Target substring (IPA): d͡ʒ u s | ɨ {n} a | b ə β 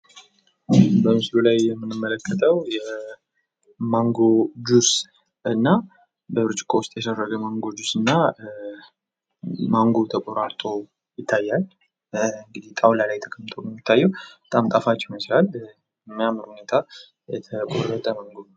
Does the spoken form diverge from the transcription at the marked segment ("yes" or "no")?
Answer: yes